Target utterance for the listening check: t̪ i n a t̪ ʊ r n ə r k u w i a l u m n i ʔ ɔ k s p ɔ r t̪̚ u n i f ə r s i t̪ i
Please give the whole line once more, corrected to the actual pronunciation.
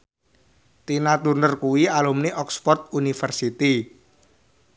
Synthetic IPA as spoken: t̪ i n a t̪ u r n ə r k u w i a l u m n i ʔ ɔ k s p ɔ r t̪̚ u n i f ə r s i t̪ i